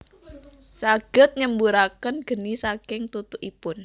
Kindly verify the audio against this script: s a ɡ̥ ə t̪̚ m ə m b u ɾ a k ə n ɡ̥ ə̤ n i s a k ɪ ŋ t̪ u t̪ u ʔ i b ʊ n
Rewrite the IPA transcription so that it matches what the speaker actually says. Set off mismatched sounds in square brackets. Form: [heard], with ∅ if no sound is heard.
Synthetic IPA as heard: s a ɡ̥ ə t̪̚ [ɲ] ə m b u ɾ a k ə n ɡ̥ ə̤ n i s a k ɪ ŋ t̪ u t̪ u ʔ i [p] ʊ n